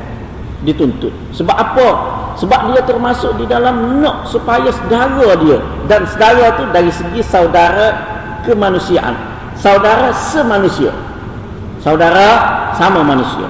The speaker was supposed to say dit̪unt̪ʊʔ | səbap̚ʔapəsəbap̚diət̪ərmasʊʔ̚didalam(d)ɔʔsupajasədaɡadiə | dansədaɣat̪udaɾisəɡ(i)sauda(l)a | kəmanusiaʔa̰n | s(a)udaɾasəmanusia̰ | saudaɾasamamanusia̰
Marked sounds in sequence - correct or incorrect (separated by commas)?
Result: incorrect, correct, incorrect, correct